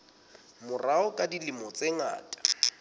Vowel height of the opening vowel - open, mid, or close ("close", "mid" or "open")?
close